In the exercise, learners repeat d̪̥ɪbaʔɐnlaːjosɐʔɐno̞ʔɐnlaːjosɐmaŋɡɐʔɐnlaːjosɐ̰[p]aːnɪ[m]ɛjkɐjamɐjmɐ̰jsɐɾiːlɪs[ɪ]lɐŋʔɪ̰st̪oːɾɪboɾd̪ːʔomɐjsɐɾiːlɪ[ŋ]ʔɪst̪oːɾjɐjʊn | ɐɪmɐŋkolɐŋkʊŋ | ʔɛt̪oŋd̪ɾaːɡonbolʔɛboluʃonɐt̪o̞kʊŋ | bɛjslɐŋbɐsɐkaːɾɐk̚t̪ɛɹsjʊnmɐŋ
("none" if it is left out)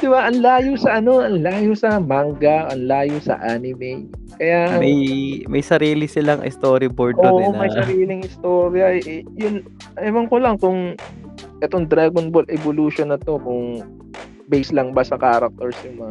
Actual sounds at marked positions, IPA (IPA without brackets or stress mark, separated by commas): ʔ, m, ɪ, ŋ